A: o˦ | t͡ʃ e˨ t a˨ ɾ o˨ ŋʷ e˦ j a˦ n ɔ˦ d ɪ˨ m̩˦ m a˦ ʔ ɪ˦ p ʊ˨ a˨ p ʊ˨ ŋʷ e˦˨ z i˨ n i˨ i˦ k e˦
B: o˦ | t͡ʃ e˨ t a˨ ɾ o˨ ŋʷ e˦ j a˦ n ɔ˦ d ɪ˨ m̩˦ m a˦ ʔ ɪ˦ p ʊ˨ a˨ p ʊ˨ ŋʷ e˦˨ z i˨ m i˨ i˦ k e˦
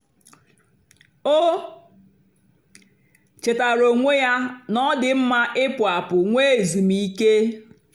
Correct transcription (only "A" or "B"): B